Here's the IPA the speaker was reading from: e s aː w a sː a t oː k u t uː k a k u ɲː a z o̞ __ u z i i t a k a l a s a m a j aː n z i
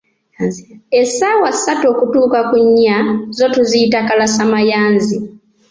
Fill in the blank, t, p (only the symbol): t